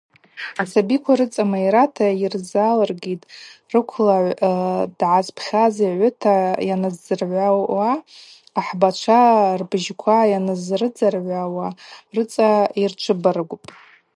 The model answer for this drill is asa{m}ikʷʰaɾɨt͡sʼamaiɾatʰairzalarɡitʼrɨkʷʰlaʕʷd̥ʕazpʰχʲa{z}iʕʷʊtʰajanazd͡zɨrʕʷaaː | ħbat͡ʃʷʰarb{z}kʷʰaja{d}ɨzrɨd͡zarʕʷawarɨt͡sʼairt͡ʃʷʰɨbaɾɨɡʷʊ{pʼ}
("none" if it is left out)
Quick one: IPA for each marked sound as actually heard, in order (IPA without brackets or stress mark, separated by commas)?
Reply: b, z, ʒ, n, pʼ